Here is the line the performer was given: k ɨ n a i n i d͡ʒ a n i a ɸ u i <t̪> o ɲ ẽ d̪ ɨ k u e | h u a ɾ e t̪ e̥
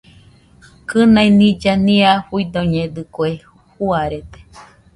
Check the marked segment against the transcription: incorrect: d̪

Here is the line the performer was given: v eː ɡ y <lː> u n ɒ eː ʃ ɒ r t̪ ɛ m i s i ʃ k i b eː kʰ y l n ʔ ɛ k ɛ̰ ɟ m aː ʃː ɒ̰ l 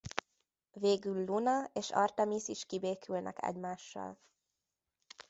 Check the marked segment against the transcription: correct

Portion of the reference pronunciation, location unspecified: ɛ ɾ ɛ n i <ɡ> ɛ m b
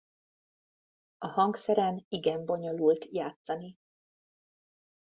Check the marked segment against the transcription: correct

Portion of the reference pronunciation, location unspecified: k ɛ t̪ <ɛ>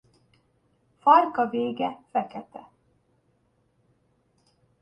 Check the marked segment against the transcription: correct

